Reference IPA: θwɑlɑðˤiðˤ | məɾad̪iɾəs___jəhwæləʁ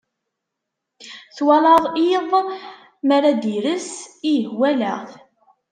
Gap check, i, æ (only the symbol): i